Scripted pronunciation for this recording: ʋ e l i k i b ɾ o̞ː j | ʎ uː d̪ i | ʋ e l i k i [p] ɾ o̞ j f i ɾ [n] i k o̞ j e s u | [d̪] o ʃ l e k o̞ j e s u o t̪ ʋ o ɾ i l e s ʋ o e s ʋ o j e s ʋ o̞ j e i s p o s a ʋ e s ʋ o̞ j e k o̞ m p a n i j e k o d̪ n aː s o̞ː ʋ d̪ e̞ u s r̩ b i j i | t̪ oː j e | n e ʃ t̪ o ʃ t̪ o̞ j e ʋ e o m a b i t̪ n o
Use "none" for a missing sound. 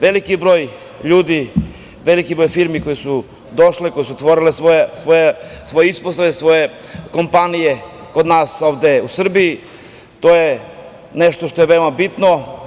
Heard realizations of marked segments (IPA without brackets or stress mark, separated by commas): b, m, d̪